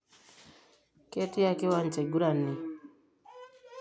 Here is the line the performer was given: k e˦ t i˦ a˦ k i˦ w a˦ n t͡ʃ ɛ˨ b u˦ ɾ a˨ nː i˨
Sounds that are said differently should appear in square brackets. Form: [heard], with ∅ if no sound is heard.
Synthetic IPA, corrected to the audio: k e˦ t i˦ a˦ k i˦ w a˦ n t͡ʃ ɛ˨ [ɡ] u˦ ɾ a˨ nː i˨